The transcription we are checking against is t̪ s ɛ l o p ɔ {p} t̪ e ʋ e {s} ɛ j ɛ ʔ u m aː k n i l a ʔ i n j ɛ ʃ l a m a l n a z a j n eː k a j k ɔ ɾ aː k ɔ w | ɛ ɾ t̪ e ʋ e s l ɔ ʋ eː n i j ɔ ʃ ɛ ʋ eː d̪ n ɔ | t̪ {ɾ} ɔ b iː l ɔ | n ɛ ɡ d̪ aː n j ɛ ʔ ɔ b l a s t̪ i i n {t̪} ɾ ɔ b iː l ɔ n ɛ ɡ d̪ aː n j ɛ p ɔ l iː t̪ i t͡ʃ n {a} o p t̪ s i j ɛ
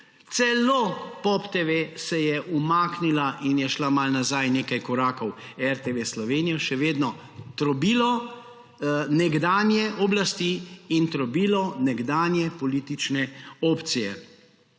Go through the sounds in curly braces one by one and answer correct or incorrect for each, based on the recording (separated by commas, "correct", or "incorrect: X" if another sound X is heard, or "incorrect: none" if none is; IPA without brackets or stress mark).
correct, correct, correct, correct, incorrect: ɛ